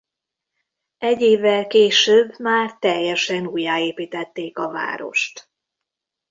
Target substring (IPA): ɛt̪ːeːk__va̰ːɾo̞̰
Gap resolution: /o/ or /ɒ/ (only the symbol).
ɒ